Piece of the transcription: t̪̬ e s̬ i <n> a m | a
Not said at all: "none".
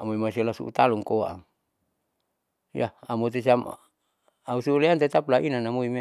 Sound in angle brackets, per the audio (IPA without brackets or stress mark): none